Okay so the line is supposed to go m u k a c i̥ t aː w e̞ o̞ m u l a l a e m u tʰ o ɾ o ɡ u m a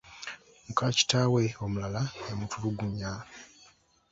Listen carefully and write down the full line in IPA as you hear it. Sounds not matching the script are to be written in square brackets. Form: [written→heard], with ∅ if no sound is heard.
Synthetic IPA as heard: m u k a c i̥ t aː w e̞ o̞ m u l a l a e m u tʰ [o→u] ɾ [o→u] ɡ u [m→ɲ] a